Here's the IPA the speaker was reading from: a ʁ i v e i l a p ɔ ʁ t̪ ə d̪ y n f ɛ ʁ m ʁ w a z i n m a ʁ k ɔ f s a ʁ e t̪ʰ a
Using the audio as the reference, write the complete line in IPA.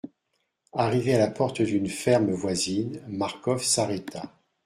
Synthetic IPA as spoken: a ʁ i v e a l a p ɔ ʁ t̪ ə d̪ y n f ɛ ʁ m v w a z i n m a ʁ k ɔ f s a ʁ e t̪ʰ a